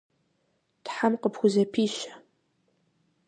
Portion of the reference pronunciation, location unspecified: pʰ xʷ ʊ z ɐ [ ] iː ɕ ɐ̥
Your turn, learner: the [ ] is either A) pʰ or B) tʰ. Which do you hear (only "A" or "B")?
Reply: A